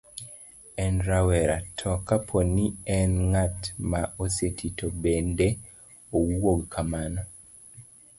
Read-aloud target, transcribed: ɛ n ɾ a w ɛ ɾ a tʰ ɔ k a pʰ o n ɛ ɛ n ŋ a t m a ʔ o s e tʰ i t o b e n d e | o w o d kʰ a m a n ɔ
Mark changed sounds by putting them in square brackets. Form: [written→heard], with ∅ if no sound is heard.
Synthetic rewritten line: ɛ n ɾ a w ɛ ɾ a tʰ ɔ k a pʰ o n [ɛ→i] ɛ n ŋ a t m a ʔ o s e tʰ i t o b e n d e | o w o [d→ɡ] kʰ a m a n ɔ